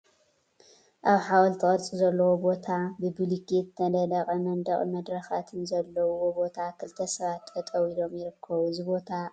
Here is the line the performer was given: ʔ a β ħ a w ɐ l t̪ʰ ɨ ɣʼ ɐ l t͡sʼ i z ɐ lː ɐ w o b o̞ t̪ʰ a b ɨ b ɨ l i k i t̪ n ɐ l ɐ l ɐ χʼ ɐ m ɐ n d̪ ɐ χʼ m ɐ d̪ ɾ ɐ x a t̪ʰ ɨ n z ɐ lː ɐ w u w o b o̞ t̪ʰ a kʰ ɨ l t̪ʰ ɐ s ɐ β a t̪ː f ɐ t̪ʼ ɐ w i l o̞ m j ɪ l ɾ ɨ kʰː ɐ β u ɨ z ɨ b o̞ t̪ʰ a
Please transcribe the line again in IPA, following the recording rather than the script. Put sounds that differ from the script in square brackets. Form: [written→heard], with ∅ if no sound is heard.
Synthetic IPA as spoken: ʔ a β ħ a w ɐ l t̪ʰ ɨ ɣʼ ɐ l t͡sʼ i z ɐ lː ɐ w o b o̞ t̪ʰ a b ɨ b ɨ l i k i t̪ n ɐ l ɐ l ɐ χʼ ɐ m ɐ n d̪ ɐ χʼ m ɐ d̪ ɾ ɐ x a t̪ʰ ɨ n z ɐ lː ɐ w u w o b o̞ t̪ʰ a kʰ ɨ l t̪ʰ ɐ s ɐ β a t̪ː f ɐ t̪ʼ ɐ w i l o̞ m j ɪ [l→∅] ɾ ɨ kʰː ɐ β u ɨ z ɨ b o̞ t̪ʰ a